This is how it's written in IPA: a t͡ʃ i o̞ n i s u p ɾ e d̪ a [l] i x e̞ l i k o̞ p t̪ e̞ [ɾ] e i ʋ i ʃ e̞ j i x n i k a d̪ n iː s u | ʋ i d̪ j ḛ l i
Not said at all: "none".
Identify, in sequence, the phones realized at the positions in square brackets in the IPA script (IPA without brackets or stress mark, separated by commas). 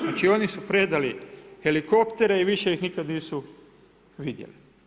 l, ɾ